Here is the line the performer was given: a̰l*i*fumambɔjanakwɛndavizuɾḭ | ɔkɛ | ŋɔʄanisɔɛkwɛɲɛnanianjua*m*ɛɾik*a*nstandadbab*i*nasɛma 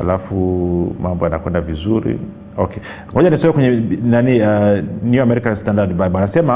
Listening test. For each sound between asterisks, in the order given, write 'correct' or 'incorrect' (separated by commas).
incorrect, correct, correct, incorrect